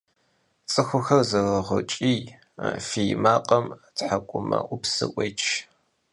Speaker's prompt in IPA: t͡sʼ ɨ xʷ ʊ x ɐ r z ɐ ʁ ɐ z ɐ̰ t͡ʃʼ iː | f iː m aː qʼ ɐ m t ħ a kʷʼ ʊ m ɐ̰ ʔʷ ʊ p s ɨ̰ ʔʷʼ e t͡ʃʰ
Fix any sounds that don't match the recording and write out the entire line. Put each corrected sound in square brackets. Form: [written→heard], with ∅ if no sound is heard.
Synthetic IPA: t͡sʼ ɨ xʷ ʊ x ɐ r z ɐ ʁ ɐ [z→ʁ] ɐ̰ t͡ʃʼ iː | f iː m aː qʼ ɐ m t ħ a kʷʼ ʊ m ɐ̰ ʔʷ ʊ p s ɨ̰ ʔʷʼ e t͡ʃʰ